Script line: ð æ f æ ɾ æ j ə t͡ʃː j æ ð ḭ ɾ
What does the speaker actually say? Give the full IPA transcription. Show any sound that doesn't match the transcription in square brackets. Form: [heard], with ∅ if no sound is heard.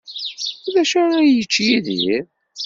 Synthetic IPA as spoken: ð æ [ʃ] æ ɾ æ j ə t͡ʃː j [i] ð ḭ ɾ